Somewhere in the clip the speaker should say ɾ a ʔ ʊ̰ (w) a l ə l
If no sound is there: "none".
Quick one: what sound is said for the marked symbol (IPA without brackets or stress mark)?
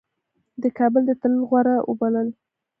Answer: b